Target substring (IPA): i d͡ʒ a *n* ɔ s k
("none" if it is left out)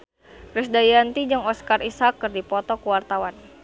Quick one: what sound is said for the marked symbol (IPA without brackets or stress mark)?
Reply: ŋ